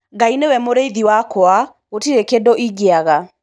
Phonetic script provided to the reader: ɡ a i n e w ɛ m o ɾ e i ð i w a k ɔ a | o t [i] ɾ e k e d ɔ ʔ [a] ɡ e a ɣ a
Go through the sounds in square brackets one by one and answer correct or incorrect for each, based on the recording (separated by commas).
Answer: correct, incorrect